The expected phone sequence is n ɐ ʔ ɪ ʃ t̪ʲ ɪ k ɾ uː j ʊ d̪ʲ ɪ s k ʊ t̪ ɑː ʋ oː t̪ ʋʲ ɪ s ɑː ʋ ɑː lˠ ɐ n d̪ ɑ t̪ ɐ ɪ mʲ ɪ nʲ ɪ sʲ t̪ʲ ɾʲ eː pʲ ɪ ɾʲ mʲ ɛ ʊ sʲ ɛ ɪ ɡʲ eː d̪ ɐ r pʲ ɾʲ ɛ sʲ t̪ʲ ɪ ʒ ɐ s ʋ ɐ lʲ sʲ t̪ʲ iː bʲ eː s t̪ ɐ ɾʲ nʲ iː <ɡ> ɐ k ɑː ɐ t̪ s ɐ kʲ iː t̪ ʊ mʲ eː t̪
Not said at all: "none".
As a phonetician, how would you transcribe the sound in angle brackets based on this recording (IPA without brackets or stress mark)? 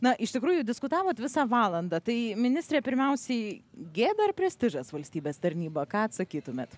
b